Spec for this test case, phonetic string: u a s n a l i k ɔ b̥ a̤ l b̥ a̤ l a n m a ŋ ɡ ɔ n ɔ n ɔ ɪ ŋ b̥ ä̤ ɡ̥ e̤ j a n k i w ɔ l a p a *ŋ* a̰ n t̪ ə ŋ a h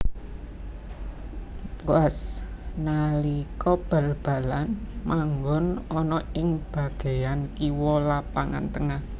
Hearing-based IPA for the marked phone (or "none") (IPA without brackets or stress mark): ŋ